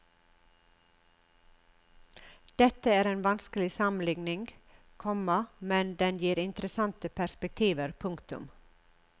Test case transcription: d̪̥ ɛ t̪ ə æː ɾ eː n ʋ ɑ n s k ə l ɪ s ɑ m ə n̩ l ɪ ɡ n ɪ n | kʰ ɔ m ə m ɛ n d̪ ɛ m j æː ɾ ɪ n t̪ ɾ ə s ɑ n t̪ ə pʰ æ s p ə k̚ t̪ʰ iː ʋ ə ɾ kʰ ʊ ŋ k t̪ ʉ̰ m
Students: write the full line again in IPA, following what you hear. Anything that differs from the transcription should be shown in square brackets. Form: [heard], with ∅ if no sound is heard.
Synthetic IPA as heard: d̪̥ ɛ t̪ ə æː ɾ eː n ʋ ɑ n s k ə l ɪ s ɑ m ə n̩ l ɪ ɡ n ɪ [ŋ] | kʰ ɔ m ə m ɛ n d̪ ɛ [n] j [iː] ɾ ɪ n t̪ ɾ ə s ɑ n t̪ ə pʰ æ s p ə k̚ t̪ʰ iː ʋ ə ɾ [pʰ] ʊ ŋ k t̪ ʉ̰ m